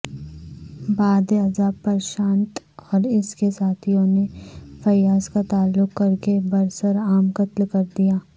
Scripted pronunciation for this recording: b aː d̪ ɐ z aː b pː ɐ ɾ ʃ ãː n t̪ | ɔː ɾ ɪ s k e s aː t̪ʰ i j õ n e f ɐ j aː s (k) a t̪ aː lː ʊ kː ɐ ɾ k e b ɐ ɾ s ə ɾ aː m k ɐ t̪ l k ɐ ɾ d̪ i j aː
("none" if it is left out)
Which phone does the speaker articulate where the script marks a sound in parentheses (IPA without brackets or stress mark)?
k